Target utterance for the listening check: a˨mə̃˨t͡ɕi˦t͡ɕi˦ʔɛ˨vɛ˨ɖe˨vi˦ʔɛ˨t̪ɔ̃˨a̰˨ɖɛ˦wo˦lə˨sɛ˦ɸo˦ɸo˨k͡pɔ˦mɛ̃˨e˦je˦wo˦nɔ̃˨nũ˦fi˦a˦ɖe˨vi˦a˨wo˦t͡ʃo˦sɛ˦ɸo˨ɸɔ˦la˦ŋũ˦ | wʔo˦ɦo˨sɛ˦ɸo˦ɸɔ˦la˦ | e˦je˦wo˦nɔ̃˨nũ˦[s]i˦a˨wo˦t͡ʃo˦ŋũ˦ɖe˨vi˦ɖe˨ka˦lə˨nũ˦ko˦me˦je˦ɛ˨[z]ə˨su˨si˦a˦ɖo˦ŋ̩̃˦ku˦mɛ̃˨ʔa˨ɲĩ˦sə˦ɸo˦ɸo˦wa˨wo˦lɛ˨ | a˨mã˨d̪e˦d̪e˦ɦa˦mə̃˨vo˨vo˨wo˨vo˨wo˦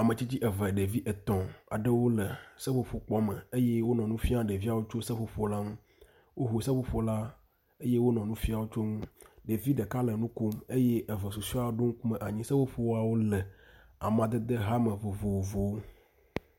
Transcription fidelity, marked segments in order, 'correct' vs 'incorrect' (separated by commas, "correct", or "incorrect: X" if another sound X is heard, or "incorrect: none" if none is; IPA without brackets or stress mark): incorrect: f, incorrect: v